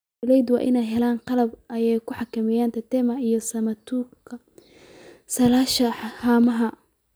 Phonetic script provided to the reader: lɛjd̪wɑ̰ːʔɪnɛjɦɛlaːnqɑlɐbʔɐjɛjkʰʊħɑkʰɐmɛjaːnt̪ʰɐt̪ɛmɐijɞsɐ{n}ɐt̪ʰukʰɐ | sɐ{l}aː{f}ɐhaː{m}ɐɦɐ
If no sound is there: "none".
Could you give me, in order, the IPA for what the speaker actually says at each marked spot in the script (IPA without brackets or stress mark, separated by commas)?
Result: m, l, ʃ, m